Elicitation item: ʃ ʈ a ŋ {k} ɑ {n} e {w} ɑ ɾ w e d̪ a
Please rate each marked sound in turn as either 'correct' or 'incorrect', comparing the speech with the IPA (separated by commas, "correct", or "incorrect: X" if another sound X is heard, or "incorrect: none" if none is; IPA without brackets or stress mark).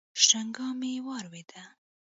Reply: incorrect: ɡ, incorrect: m, correct